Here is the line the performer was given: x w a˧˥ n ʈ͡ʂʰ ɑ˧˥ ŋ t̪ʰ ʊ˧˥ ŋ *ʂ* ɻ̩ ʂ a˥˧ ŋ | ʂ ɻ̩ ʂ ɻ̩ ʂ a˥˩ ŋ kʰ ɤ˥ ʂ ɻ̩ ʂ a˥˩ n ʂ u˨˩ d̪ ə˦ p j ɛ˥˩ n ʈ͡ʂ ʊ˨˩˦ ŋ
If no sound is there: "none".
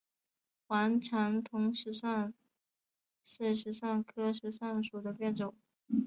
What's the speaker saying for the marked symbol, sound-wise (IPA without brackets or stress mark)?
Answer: ʂ